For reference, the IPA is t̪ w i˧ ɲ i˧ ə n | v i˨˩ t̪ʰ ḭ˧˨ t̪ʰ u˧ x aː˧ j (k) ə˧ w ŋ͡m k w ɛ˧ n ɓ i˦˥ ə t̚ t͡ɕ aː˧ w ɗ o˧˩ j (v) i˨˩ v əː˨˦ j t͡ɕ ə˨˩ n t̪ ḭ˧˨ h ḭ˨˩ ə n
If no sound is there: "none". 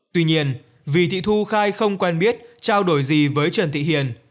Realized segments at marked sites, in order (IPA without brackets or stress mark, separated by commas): x, z